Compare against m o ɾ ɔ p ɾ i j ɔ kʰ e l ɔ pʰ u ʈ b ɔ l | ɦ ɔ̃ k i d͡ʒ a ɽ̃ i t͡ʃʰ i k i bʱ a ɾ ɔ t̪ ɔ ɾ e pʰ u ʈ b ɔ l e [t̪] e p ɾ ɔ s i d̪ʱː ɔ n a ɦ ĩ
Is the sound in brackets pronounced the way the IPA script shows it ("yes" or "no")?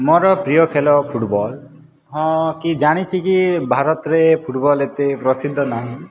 yes